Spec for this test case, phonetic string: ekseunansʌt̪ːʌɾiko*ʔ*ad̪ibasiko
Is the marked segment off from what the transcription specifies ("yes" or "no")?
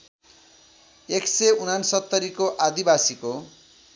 no